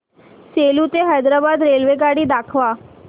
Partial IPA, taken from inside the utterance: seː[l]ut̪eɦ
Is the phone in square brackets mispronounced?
no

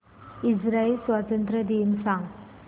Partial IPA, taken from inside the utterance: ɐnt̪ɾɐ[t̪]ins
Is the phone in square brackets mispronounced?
yes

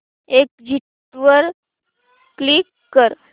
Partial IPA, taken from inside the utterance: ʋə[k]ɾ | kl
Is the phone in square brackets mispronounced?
yes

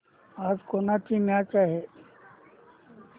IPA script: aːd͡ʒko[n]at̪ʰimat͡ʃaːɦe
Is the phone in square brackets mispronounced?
no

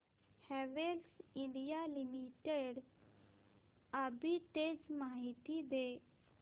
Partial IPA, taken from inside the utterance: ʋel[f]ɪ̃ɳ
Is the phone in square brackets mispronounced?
yes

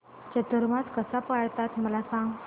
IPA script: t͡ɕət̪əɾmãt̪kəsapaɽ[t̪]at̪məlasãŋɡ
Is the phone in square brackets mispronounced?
no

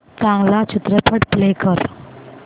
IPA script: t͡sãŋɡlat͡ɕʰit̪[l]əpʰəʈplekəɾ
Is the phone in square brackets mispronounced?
yes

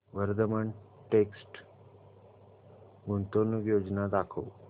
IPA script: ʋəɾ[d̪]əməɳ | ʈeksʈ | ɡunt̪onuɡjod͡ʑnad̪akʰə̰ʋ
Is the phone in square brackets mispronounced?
no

